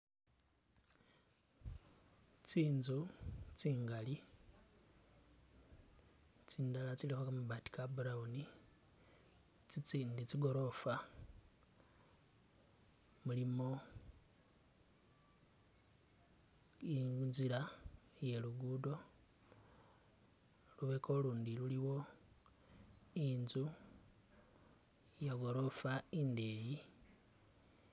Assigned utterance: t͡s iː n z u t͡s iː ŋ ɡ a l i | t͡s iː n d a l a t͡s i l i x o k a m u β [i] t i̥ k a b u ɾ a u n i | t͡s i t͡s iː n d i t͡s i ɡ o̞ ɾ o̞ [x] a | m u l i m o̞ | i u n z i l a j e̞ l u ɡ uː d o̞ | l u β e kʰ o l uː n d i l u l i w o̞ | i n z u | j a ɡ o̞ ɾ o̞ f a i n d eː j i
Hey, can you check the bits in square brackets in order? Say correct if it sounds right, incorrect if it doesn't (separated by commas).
incorrect, incorrect